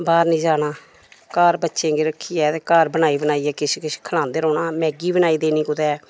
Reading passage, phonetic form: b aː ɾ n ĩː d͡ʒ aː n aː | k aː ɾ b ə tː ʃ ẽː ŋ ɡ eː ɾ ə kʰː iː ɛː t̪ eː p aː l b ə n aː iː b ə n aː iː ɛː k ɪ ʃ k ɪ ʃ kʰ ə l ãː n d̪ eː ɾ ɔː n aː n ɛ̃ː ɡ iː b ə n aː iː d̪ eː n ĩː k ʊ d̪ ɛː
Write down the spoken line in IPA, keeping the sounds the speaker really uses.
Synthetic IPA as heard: b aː ɾ n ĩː d͡ʒ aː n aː | k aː ɾ b ə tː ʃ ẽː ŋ ɡ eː ɾ ə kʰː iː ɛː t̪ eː k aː ɾ b ə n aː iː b ə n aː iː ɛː k ɪ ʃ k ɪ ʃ kʰ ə l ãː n d̪ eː ɾ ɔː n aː m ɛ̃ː ɡ iː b ə n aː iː d̪ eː n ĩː k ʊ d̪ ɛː